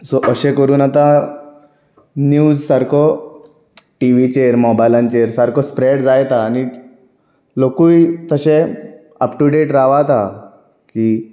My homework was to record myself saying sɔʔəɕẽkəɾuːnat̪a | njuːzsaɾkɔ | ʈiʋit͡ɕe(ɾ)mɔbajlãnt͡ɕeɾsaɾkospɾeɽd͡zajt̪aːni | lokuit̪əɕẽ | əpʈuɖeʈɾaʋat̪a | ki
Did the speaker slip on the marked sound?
no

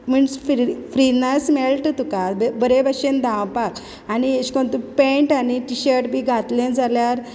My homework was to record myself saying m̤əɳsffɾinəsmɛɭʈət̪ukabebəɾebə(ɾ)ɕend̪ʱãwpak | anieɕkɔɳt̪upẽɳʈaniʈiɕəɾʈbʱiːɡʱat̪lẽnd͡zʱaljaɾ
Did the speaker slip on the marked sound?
yes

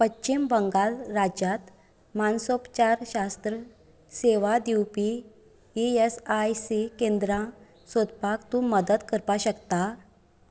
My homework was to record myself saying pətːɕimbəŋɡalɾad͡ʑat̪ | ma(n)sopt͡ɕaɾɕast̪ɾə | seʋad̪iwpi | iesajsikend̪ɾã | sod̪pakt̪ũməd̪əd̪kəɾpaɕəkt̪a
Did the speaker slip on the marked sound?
no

